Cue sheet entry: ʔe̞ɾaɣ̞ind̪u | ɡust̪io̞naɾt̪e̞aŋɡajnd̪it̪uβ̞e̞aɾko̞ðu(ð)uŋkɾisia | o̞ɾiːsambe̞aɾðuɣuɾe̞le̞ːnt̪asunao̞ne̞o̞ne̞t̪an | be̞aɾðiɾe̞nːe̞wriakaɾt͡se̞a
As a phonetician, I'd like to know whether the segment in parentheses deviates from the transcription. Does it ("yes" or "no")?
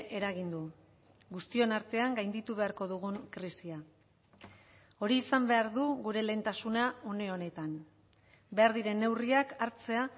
yes